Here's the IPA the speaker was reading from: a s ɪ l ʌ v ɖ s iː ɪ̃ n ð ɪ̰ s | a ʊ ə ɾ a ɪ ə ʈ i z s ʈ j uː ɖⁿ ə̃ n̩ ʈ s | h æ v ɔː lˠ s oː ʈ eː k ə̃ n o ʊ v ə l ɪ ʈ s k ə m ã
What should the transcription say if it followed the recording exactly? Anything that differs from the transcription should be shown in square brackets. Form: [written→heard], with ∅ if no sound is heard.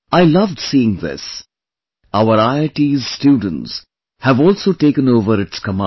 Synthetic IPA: a [s→∅] ɪ l ʌ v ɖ s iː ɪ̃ [n→ŋ] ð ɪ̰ s | a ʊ ə ɾ a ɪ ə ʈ i z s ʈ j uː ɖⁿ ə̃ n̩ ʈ s | h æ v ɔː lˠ s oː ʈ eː k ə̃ n o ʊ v ə [l→ɾ] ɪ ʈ s k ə m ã